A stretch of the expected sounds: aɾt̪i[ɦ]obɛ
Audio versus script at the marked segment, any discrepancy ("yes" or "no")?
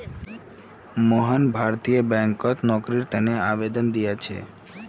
yes